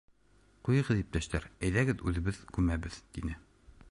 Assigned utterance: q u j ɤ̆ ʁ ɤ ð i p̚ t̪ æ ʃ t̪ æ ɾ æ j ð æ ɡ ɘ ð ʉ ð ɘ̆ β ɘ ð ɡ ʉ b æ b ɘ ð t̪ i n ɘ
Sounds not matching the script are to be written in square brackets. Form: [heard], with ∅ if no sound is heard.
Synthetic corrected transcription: q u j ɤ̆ ʁ ɤ ð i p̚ t̪ æ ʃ t̪ æ ɾ æ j ð æ ɡ ɘ ð ʉ ð ɘ̆ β ɘ ð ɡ ʉ [m] æ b ɘ ð t̪ i n ɘ